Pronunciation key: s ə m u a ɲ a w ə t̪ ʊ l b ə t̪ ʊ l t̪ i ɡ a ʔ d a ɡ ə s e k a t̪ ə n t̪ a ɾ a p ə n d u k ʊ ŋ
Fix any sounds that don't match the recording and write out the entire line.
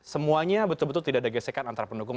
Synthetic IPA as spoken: s ə m u a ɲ a b ə t̪ ʊ l b ə t̪ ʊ l t̪ i d a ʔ d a ɡ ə s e k a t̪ a n t̪ a ɾ a p ə n d u k ʊ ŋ